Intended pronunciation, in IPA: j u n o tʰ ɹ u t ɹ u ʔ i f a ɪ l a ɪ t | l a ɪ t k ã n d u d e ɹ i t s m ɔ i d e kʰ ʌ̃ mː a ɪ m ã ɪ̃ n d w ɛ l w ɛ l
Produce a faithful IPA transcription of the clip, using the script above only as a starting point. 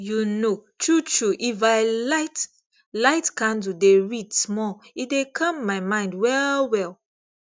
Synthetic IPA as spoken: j u n o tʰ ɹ u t ɹ u ʔ i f a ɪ l a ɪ t | l a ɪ t k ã n d u d e ɹ i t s m ɔ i d e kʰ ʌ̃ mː a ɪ m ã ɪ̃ n d w ɛ l w ɛ l